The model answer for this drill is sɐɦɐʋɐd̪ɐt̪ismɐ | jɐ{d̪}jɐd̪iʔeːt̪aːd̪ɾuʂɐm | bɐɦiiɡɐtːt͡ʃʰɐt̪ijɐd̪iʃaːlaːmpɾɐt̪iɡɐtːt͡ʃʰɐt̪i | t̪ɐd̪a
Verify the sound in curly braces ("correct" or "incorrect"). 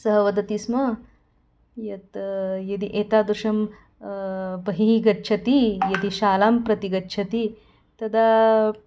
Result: incorrect